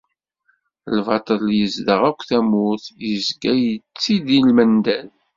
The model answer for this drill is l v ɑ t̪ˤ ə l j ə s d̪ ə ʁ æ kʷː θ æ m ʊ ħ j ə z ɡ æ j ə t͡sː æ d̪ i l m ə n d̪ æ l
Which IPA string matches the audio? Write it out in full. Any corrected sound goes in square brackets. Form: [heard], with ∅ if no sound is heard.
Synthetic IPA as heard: l v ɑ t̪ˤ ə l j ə [z] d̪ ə ʁ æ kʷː θ æ m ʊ [θ] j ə z ɡ æ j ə t͡sː [i] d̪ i l m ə n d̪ æ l